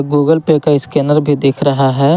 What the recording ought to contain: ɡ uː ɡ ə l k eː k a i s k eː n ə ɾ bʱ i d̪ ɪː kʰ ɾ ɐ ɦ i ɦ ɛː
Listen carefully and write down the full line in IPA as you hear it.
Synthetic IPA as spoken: ɡ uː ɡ ə l p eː k a ɪ s k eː n ə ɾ bʱ i d̪ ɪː kʰ ɾ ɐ ɦ a ɦ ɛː